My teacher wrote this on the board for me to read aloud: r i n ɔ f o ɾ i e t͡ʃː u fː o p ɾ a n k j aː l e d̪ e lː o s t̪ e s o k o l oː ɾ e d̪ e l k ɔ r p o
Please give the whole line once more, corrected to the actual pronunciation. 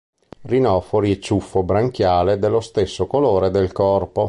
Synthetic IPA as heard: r i n ɔ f o ɾ i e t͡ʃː u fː o b ɾ a ŋ k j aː l e d̪ e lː o s t̪ e sː o k o l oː ɾ e d̪ e l k ɔ r p o